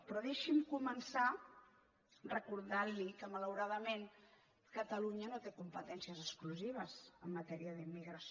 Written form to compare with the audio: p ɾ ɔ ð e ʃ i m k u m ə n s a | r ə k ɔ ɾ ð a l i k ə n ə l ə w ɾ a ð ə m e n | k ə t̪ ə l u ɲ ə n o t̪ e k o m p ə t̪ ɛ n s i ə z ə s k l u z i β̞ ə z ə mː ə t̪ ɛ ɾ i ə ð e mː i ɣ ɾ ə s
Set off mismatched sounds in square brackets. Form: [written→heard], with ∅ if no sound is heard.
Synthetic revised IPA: p ɾ ɔ ð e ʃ i m k u m ə n s a | r ə k [ɔ→u] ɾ ð a l i k ə [n→m] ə l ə w ɾ a ð ə m e n | k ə t̪ ə l u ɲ ə n o t̪ e k [o→u] m p ə t̪ ɛ n s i ə z ə s k l u z i β̞ ə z ə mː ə t̪ ɛ ɾ i ə ð [e→i] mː i ɣ ɾ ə s